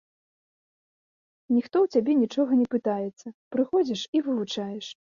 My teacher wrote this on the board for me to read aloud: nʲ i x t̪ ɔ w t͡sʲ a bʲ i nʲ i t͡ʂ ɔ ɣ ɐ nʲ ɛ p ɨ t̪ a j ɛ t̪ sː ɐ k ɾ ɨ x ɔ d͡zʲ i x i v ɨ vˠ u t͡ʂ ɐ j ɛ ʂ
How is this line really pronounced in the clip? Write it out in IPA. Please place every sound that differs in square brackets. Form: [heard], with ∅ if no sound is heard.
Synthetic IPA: nʲ i x t̪ ɔ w t͡sʲ a bʲ [ɛ] nʲ i t͡ʂ ɔ ɣ ɐ nʲ ɛ p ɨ t̪ a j ɛ t̪ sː ɐ [p] ɾ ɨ x ɔ d͡zʲ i [ʂ] i v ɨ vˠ u t͡ʂ [a] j ɛ ʂ